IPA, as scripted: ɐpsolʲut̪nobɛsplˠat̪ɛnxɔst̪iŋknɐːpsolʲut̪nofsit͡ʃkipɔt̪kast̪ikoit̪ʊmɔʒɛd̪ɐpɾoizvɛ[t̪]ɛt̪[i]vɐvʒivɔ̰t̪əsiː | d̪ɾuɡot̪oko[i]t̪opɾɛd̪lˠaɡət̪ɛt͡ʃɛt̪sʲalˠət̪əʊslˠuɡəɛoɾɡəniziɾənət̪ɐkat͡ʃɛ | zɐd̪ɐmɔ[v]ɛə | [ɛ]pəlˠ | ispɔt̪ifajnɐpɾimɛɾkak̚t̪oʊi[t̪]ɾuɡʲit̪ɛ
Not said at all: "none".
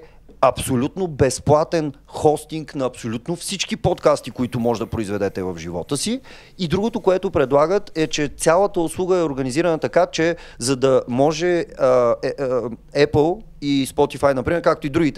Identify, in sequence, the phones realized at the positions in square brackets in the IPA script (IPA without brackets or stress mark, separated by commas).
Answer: d̪, ɛ, ɛ, ʒ, ɛ, d̪